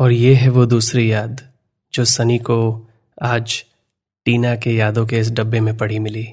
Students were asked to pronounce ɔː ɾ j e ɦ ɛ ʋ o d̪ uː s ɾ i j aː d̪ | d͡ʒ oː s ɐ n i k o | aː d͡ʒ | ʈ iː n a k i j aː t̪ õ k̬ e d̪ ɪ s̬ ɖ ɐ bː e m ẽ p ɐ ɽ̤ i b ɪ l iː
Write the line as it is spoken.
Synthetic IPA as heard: ɔː ɾ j e ɦ ɛ ʋ o d̪ uː s ɾ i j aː d̪ | d͡ʒ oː s ɐ n i k o | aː d͡ʒ | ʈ iː n a k e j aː d̪ õ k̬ e ɪ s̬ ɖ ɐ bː e m ẽ p ɐ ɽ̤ i m ɪ l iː